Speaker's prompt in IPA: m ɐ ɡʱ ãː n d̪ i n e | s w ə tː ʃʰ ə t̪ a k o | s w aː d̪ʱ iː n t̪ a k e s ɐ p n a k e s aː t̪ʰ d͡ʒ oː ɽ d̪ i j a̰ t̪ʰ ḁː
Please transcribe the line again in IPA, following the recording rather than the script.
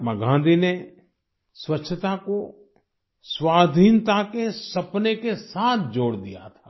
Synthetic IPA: m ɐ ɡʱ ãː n d̪ i n e | s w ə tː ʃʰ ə t̪ a k o | s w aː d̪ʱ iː n t̪ a k e s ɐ p n e k e s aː t̪ʰ d͡ʒ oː ɽ d̪ i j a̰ t̪ʰ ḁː